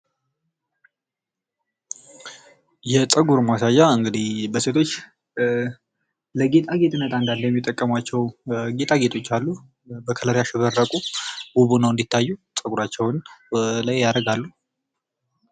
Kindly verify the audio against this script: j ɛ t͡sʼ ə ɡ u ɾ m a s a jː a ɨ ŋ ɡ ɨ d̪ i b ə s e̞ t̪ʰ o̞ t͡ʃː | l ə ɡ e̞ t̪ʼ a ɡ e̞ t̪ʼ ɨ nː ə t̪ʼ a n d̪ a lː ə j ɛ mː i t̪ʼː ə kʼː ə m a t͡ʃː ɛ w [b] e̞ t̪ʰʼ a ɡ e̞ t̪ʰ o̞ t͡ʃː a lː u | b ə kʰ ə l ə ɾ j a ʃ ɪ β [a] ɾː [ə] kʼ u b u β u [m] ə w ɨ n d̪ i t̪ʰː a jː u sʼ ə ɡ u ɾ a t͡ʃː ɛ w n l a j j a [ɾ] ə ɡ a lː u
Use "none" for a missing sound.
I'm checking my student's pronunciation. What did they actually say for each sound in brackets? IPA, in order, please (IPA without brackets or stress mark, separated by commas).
ɡ, ə, ə, n, ɾ